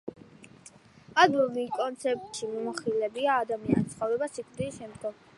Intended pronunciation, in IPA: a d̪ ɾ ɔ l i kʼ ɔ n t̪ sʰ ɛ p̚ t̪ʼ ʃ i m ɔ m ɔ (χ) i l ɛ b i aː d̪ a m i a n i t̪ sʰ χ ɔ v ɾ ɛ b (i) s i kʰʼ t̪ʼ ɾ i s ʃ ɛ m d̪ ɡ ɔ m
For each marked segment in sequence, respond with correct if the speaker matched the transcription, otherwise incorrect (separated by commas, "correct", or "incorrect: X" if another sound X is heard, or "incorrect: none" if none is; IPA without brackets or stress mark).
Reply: correct, incorrect: a